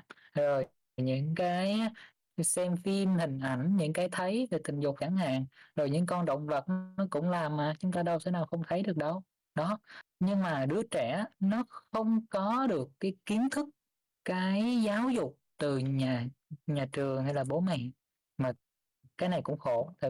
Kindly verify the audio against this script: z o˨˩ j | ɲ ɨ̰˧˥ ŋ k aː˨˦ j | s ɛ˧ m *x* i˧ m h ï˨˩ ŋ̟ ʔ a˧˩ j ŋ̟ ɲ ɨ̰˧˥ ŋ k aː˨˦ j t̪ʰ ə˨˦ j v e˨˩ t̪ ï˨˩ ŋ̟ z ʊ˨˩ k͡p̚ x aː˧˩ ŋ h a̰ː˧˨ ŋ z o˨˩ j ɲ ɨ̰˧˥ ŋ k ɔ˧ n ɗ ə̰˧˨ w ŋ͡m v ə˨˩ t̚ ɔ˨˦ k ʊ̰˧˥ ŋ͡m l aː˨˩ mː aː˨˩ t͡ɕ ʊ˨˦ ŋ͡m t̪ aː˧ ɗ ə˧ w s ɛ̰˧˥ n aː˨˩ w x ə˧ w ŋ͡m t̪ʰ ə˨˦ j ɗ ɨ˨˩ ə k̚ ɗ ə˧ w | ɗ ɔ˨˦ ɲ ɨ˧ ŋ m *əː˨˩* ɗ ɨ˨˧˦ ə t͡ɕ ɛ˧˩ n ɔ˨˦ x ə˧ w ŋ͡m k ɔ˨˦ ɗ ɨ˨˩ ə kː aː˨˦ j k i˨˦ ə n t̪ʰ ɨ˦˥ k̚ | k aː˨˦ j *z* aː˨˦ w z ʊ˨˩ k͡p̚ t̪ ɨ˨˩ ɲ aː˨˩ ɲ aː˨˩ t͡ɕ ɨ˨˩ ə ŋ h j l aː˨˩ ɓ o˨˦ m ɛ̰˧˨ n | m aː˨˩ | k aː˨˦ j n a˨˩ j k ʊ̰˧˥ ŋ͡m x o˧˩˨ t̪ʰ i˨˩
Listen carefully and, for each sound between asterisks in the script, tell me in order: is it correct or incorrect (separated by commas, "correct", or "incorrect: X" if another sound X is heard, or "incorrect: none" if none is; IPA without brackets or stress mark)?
incorrect: f, incorrect: aː˨˩, correct